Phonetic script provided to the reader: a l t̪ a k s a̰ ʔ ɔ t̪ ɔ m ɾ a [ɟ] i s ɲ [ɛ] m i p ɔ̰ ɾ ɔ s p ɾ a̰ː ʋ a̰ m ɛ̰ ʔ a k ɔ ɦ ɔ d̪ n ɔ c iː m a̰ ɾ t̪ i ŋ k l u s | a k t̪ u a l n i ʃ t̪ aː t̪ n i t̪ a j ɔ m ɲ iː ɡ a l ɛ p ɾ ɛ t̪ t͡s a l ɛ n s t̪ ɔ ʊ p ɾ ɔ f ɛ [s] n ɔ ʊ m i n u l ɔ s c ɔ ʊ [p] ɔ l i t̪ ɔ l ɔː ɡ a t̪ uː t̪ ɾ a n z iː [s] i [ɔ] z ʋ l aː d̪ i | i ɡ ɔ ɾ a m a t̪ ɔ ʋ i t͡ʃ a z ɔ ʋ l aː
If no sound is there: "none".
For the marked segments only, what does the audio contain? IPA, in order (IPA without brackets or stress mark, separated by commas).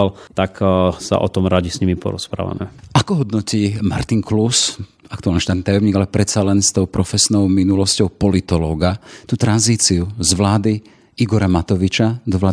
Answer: ɟ, i, s, p, t͡s, u